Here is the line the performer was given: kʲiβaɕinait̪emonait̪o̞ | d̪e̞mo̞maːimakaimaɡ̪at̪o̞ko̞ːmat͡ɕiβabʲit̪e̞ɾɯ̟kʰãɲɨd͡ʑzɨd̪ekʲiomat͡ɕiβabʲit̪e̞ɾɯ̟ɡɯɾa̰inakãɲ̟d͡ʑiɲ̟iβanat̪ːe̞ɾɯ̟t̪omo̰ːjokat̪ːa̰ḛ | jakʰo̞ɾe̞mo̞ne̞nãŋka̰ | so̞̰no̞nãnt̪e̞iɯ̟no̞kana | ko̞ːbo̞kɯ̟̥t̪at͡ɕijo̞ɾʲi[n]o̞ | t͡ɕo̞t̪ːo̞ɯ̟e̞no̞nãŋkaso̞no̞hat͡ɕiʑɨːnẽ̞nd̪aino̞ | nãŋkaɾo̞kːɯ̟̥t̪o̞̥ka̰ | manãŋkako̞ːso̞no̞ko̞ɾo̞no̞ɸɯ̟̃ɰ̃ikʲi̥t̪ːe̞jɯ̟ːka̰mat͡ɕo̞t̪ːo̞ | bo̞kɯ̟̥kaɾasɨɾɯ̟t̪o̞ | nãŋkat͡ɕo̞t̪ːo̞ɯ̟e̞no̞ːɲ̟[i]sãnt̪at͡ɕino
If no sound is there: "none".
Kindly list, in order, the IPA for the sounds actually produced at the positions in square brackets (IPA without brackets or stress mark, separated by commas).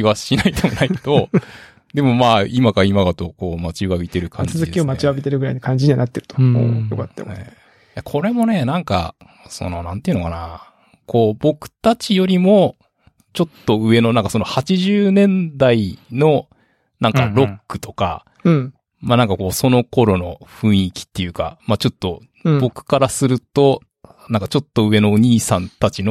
m, iː